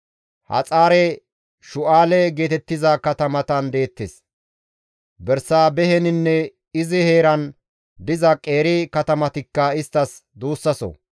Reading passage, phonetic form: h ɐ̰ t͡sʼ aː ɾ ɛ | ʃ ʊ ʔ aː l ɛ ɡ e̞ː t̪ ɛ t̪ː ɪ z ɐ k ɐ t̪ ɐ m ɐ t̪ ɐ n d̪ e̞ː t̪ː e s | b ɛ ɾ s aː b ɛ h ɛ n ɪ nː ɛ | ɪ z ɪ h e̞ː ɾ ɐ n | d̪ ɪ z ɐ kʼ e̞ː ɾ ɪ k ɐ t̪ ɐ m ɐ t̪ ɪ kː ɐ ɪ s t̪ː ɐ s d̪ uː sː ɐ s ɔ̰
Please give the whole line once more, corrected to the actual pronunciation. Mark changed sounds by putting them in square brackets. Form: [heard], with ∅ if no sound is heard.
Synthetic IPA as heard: h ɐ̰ t͡sʼ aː ɾ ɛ | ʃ ʊ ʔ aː l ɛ ɡ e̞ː t̪ ɛ t̪ː ɪ z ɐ k ɐ t̪ ɐ m ɐ t̪ ɐ n d̪ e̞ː t̪ː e s | b ɛ ɾ s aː b ɛ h ɛ n ɪ nː ɛ | ɪ z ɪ h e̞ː ɾ ɐ n | d̪ ɪ z ɐ kʼ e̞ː ɾ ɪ k ɐ t̪ ɐ m ɐ t̪ ɪ kː ɐ ɪ s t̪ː ɐ s d̪ uː sː ɐ s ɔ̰